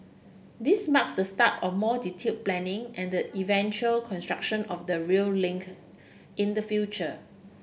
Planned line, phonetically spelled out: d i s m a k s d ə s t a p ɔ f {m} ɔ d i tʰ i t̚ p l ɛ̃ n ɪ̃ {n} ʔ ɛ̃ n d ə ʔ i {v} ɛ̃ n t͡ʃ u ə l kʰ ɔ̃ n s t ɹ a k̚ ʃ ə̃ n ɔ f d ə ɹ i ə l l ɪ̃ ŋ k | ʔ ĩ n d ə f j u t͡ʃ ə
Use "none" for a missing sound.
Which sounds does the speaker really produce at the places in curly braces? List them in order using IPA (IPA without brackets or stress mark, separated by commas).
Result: m, ŋ, v